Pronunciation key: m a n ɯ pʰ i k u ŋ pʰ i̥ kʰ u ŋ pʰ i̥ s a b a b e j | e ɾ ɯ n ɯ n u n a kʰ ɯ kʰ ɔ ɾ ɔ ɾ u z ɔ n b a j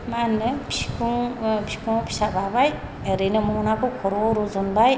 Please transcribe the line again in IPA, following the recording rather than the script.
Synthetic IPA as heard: m a n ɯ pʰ i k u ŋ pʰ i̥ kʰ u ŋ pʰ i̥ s a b a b a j | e ɾ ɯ n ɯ m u n a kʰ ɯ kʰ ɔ ɾ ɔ ɾ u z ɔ n b a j